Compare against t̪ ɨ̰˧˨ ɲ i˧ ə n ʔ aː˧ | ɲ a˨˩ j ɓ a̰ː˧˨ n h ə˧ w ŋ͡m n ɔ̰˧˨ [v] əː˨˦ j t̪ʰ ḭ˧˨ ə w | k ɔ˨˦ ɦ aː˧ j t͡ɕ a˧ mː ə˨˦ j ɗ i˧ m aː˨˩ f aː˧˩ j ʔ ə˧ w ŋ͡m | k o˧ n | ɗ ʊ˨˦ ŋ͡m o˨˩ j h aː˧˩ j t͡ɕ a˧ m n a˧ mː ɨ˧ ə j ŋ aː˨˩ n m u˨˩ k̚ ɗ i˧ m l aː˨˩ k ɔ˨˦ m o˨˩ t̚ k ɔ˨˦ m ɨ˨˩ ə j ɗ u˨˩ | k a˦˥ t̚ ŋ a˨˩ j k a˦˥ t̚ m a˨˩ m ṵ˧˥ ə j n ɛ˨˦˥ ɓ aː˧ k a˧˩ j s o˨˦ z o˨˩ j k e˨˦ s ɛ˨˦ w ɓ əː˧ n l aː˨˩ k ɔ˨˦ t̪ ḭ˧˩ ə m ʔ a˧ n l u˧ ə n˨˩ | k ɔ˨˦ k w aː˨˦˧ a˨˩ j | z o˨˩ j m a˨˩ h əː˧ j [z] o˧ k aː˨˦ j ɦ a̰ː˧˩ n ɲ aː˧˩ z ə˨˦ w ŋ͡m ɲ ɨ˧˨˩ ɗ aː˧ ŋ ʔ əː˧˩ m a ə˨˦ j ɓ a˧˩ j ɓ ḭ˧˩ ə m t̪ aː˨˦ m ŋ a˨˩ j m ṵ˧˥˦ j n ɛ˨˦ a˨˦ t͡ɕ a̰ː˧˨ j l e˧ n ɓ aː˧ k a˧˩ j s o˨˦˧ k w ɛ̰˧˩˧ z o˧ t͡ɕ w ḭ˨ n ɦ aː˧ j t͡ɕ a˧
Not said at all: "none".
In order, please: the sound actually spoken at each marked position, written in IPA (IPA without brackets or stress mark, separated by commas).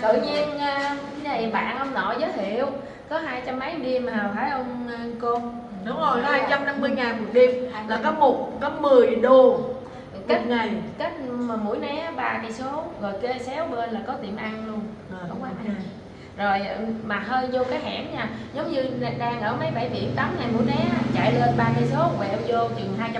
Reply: z, z